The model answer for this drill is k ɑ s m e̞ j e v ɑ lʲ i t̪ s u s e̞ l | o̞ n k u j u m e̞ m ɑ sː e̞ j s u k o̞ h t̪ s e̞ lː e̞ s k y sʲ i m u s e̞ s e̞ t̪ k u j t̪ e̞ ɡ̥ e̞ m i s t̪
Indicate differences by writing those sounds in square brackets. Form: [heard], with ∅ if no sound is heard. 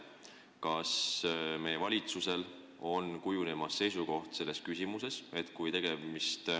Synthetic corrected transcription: k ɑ s m e̞ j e v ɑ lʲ i t̪ s u s e̞ l | o̞ n k u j u [n] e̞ m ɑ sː e̞ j s u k o̞ h t̪ s e̞ lː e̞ s k y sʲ i m u s e̞ s e̞ t̪ k u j t̪ e̞ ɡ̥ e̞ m i s t̪

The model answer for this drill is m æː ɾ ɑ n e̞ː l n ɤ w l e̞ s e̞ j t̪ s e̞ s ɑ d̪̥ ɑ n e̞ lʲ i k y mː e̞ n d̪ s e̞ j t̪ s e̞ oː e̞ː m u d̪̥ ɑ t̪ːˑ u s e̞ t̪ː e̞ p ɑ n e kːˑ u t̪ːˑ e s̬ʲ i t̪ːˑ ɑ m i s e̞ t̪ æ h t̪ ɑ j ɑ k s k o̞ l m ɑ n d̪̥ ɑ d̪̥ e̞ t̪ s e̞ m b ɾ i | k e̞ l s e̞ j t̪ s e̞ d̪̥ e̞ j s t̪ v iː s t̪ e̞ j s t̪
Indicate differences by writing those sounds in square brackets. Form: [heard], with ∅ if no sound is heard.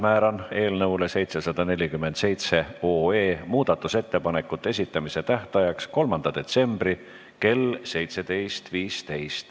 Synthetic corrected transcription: m æː ɾ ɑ n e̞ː l n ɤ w l e̞ s e̞ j t̪ s e̞ s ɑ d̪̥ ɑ n e̞ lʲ i k y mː e̞ n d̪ s e̞ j t̪ s e̞ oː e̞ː m [uː] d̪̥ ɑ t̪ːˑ u s e̞ t̪ː e̞ p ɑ n e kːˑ u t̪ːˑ e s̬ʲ i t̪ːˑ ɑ m i s e̞ t̪ æ h t̪ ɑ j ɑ k s k o̞ l m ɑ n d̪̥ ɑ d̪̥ e̞ t̪ s e̞ m b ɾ i | k e̞ l s e̞ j t̪ s e̞ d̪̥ e̞ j s t̪ v iː s t̪ e̞ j s t̪

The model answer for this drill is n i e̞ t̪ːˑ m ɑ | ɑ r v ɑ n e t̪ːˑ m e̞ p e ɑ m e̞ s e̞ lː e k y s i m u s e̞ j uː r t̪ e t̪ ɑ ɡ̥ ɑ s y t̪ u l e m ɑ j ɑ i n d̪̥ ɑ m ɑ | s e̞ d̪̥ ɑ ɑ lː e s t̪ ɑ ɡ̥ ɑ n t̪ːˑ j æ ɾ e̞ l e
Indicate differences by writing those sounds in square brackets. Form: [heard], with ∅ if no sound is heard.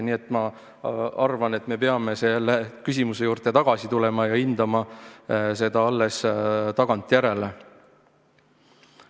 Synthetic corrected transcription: n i e̞ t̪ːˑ m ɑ | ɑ r v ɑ n e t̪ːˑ m e̞ p e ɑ m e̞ s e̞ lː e k y s i m u s e̞ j uː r t̪ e t̪ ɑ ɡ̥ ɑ s [i] t̪ u l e m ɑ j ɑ i n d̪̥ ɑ m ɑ | s e̞ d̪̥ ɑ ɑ lː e s t̪ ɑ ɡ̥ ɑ n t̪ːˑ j æ ɾ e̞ l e

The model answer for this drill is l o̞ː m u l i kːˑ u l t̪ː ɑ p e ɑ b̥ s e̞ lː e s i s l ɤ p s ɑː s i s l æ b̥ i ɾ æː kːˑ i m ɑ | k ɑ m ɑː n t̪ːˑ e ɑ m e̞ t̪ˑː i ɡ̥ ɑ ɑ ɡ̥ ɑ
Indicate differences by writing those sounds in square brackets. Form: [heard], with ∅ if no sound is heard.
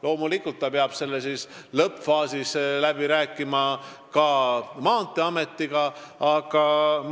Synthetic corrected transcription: l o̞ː m u l i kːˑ u l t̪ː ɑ p e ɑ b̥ s e̞ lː e s i s l ɤ p [f] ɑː s i s l æ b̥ i ɾ æː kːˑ i m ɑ | k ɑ m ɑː n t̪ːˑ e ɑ m e̞ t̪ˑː i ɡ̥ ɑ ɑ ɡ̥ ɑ

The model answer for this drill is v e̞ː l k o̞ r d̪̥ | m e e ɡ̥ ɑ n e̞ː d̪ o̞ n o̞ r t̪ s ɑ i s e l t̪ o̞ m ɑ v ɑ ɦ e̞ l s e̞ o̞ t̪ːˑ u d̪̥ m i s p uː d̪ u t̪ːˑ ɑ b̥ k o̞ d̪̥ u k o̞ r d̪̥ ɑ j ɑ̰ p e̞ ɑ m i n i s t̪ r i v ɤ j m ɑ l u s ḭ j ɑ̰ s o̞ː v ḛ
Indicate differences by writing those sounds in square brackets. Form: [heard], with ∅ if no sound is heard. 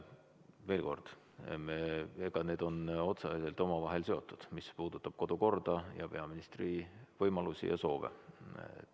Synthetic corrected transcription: v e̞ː l k o̞ r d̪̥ | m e e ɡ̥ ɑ n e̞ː d̪ o̞ n o̞ [∅] t̪ s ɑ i s e l t̪ o̞ m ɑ v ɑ ɦ e̞ l s e̞ o̞ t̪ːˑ u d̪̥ m i s p uː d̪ u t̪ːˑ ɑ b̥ k o̞ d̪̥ u k o̞ r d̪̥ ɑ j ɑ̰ p e̞ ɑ m i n i s t̪ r i v ɤ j m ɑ l u s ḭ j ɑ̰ s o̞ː v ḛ

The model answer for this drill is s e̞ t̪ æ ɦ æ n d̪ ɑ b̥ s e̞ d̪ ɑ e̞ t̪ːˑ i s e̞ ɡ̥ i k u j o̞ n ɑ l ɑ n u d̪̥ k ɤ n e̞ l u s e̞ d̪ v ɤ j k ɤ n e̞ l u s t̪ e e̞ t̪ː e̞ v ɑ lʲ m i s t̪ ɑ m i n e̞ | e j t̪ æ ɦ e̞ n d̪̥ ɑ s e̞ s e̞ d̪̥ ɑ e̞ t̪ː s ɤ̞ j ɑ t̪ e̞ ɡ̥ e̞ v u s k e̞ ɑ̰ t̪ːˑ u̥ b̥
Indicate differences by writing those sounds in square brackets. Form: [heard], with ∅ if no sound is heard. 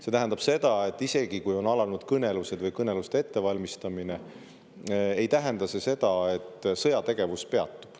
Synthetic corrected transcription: s e̞ t̪ æ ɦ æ n d̪ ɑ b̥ s e̞ d̪ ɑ e̞ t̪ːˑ i s e̞ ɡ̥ i k u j o̞ n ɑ l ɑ n u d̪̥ k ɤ n e̞ l u s e̞ d̪ v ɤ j k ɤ n e̞ l u s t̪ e e̞ t̪ː e̞ v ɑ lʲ m i s t̪ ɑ m i n e̞ | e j t̪ æ ɦ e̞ n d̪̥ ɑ s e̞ s e̞ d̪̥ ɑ e̞ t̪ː s ɤ̞ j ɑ t̪ e̞ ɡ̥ e̞ v u s [p] e̞ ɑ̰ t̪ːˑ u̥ b̥

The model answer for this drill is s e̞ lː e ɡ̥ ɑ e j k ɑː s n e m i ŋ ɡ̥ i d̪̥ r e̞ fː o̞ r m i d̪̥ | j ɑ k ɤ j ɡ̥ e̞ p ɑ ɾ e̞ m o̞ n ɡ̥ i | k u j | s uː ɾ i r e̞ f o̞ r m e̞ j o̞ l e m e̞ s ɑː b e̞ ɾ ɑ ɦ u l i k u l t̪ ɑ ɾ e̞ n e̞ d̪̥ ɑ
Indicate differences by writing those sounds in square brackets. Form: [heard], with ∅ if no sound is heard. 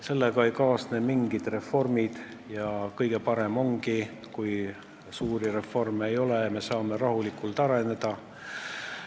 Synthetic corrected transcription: s e̞ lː e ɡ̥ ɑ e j k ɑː s n e m i ŋ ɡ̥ i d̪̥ r e̞ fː o̞ r m i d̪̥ | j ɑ k ɤ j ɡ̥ e̞ p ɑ ɾ e̞ m o̞ [ŋ] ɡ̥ i | k u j | s uː ɾ i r e̞ f o̞ r m e̞ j o̞ l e m e̞ s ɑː [m] e̞ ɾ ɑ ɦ u l i k u l t̪ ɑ ɾ e̞ n e̞ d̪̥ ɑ

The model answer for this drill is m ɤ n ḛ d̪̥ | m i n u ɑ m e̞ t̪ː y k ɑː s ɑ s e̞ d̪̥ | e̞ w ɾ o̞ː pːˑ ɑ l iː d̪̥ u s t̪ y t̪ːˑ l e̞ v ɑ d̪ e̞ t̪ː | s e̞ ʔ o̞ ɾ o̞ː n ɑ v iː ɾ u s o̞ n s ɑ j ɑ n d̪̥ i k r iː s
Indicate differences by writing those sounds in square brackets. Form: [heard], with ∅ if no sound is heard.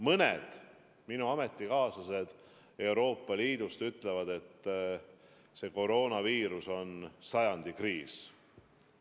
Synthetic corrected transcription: m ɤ n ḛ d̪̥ | m i n u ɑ m e̞ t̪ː [i] k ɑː s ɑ s e̞ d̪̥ | e̞ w ɾ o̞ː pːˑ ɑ l iː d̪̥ u s t̪ y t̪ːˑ l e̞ v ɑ d̪ e̞ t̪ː | s e̞ [k] o̞ ɾ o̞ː n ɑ v iː ɾ u s o̞ n s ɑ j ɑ n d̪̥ i k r iː s

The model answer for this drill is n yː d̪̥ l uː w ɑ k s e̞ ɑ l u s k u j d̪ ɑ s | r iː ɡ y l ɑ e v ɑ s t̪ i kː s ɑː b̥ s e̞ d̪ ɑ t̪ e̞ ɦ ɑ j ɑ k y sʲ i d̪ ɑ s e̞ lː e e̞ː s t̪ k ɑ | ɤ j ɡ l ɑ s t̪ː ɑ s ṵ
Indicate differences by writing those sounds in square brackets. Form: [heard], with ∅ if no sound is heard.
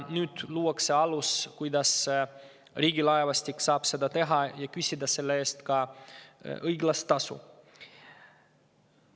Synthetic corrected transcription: n yː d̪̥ l uː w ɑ k s e̞ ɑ l u s k u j d̪ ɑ s | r iː ɡ [i] l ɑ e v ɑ s t̪ i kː s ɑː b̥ s e̞ d̪ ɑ t̪ e̞ ɦ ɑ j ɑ k y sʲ i d̪ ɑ s e̞ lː e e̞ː s t̪ k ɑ | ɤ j ɡ l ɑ s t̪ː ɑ s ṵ

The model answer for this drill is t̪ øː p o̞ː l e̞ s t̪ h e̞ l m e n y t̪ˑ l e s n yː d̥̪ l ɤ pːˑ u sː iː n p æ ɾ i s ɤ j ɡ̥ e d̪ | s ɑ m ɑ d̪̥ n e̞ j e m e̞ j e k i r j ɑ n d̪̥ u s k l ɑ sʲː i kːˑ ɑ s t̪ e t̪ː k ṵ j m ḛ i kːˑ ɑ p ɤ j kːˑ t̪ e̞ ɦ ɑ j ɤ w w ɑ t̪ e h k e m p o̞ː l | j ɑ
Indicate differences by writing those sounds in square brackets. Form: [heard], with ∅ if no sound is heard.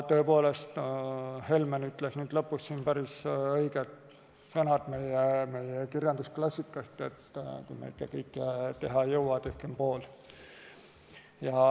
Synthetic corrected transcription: t̪ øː p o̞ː l e̞ s t̪ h e̞ l m e n y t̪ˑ l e s n yː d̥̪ l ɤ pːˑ u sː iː n p æ ɾ i s ɤ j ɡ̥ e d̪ | s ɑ [n] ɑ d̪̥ [m] e̞ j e m e̞ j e k i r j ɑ n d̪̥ u s k l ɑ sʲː i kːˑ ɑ s t̪ e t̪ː k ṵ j m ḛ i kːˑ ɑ [k] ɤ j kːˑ t̪ e̞ ɦ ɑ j ɤ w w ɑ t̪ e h k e m p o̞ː l | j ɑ

